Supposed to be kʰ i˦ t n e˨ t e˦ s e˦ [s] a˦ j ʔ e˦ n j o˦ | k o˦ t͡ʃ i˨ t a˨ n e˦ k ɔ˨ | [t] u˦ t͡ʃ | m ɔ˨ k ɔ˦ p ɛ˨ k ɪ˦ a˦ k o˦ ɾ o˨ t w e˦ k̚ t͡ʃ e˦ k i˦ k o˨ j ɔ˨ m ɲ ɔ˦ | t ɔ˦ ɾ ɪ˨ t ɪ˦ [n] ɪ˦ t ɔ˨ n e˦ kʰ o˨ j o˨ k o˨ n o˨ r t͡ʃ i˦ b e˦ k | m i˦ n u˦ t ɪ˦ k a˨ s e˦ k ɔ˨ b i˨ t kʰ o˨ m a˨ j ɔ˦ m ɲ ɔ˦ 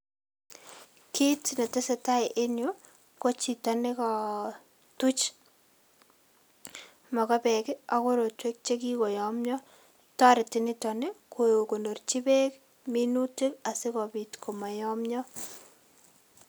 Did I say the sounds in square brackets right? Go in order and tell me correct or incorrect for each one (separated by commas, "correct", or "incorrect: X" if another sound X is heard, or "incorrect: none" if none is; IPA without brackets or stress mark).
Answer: incorrect: t, correct, correct